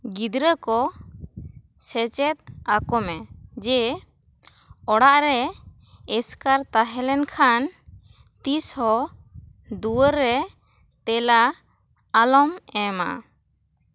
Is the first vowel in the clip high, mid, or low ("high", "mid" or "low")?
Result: high